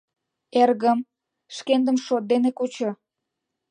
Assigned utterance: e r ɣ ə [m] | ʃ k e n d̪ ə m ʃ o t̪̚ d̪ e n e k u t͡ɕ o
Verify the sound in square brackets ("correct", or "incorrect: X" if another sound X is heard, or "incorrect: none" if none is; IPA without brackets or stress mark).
correct